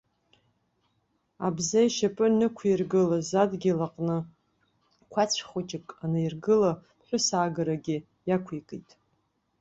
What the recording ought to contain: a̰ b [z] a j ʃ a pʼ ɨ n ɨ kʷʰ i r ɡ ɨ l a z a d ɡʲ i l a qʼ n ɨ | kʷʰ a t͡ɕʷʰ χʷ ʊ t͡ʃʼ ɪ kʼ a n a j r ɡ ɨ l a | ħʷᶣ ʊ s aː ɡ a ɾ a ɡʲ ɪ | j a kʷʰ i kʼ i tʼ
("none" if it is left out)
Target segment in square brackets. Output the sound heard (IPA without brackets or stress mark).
z